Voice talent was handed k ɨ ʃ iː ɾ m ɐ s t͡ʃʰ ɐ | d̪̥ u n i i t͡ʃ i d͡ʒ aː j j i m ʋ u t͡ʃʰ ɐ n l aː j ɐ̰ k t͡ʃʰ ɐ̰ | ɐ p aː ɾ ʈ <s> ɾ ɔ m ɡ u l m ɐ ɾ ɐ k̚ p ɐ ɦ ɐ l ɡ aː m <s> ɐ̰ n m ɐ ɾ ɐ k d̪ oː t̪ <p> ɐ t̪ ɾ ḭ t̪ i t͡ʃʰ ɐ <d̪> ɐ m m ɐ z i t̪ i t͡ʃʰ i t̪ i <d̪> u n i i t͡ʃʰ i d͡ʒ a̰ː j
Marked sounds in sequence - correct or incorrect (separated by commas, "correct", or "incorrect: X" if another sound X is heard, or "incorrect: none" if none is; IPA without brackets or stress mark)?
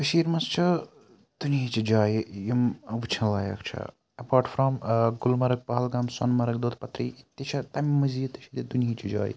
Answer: incorrect: f, correct, correct, incorrect: t̪, correct